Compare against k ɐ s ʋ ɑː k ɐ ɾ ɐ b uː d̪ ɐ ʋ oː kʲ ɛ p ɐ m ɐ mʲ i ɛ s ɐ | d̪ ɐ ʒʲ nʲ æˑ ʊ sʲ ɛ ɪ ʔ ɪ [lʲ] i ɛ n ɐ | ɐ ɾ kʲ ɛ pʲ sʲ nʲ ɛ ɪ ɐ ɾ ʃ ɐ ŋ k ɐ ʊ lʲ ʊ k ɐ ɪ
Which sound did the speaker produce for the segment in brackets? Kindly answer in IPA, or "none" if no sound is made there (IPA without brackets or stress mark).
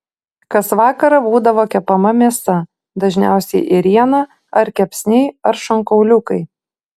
ɾʲ